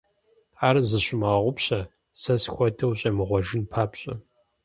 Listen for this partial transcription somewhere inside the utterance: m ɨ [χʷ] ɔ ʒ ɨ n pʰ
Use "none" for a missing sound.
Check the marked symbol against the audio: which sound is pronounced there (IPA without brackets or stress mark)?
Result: ʁʷ